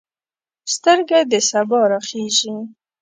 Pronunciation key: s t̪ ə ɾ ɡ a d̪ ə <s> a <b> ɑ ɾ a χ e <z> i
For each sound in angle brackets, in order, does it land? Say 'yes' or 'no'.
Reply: yes, yes, no

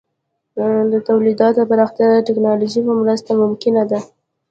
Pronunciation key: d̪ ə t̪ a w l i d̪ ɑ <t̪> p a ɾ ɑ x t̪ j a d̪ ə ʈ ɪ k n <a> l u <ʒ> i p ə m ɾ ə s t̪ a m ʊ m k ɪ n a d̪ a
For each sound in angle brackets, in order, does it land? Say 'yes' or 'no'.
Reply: yes, no, yes

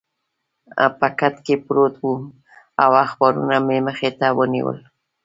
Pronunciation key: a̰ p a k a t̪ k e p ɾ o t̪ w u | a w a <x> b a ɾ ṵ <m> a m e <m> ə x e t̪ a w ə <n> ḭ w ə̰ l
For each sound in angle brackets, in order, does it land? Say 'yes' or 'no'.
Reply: yes, no, yes, yes

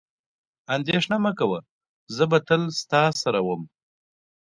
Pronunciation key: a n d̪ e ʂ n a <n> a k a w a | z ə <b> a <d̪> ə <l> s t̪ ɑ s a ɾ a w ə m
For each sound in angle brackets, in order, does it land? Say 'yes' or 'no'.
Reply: no, yes, no, yes

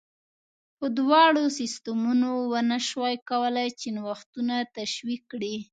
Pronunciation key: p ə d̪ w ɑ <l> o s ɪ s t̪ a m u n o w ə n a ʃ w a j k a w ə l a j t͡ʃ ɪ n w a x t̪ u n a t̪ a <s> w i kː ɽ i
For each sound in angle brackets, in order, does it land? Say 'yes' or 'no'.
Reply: no, no

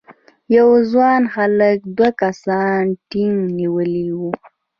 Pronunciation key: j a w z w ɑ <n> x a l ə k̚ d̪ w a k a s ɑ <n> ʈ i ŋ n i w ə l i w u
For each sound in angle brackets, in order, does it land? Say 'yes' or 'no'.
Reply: yes, yes

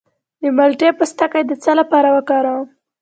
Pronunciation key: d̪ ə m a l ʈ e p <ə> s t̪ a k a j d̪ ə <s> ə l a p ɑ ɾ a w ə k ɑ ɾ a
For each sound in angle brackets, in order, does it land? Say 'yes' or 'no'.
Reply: yes, no

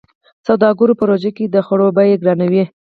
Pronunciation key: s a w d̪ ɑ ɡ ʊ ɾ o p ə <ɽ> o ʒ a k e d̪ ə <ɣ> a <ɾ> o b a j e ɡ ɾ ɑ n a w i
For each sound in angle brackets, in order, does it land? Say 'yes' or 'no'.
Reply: no, no, no

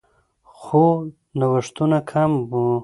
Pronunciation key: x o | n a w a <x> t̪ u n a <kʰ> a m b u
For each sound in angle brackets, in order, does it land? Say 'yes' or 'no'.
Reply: no, yes

